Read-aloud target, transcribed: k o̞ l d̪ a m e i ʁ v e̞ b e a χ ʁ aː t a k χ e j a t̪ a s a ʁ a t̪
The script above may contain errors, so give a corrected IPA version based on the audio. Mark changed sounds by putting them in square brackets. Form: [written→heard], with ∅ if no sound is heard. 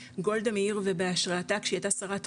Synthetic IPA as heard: [k→ɡ] o̞ l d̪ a m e i ʁ v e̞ b e a [χ→ʃ] ʁ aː t a k [χ→ʃ] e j a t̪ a s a ʁ a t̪